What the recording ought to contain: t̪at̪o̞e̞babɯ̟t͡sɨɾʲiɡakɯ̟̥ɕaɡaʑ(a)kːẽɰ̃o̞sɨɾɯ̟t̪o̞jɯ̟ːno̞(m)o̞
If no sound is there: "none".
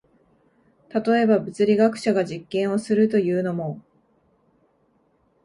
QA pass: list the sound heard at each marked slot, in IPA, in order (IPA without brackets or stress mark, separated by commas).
i, m